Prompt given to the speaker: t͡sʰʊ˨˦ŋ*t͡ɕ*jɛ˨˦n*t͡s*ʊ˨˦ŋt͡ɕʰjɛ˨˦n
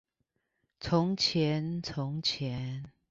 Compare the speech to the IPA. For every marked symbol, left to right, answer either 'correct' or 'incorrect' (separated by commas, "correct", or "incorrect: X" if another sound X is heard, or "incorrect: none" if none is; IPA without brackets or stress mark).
incorrect: t͡ɕʰ, incorrect: t͡sʰ